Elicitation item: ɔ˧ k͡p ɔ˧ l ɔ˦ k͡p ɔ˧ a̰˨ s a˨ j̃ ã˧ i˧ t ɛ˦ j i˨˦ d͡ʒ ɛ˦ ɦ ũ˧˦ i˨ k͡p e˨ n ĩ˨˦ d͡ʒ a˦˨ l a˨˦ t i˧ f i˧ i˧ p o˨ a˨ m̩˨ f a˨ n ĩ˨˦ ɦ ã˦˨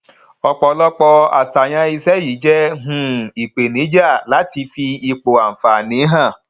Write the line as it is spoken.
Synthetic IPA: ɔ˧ k͡p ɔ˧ l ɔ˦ k͡p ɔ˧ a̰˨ s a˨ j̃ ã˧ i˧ s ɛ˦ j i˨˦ d͡ʒ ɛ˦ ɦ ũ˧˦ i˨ k͡p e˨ n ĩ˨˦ d͡ʒ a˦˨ l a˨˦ t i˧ f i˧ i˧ k͡p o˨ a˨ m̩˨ f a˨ n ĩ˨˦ ɦ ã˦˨